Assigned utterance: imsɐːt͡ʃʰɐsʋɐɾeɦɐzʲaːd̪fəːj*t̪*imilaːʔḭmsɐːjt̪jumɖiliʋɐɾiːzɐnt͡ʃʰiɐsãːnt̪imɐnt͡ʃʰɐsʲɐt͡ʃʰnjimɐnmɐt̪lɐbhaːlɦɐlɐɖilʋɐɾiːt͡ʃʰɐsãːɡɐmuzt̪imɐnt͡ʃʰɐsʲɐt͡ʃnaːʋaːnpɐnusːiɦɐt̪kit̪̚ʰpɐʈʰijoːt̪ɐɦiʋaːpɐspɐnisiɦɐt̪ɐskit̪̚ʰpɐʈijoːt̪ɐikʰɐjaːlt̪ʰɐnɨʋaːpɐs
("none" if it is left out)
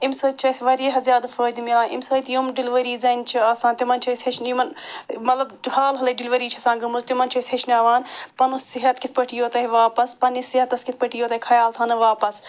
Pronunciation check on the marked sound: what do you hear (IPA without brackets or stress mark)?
d̪